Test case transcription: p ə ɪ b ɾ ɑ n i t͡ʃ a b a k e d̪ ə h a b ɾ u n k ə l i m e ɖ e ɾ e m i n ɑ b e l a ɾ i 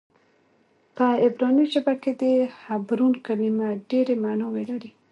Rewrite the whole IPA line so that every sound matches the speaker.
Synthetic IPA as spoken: p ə ɪ b ɾ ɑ n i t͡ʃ a b a k e d̪ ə h a b ɾ u n k a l i m a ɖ e ɾ e m a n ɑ w e l a ɾ i